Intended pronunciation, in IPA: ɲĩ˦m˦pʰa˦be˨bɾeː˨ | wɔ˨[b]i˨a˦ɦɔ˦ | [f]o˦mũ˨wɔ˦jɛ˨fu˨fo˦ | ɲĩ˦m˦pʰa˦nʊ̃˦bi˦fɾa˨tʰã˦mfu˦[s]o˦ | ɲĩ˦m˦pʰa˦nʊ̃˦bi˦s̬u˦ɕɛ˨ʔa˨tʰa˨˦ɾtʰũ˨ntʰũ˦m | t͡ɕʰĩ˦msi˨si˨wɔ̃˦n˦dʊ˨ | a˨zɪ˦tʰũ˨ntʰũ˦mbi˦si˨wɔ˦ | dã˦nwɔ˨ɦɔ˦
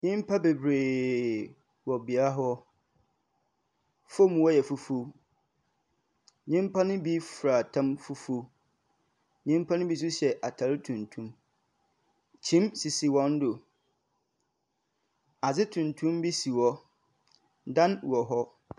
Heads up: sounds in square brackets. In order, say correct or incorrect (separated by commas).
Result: correct, correct, incorrect